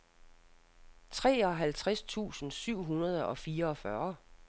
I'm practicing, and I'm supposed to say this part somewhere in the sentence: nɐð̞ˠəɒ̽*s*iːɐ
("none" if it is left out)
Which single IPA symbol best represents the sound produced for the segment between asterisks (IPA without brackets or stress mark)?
f